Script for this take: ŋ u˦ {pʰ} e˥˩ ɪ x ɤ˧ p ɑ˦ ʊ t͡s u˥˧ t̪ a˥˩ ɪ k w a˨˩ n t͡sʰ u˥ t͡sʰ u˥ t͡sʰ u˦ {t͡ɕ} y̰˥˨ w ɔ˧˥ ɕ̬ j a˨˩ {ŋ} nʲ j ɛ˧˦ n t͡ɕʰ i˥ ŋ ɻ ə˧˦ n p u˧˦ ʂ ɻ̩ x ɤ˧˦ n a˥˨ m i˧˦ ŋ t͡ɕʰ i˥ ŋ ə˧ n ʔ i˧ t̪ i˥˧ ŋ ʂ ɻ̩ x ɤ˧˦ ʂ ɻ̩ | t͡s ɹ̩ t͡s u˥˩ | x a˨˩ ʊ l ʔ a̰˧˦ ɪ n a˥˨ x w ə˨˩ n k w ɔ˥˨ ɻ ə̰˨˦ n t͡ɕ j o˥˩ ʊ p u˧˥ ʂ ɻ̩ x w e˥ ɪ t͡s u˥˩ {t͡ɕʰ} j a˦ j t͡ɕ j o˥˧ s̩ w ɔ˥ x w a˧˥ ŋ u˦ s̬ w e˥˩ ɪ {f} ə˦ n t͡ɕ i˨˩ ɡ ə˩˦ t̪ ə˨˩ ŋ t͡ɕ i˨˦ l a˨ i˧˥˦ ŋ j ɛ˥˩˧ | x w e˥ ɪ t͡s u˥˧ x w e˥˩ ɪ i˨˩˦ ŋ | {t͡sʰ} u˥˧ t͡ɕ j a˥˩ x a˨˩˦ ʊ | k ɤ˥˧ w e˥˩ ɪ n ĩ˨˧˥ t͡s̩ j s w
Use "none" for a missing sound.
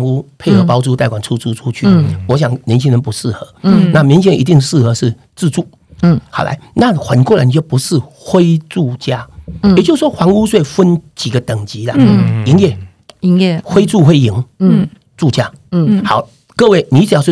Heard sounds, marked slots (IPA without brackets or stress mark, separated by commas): pʰ, t͡ɕʰ, ŋ, t͡ɕ, f, t͡s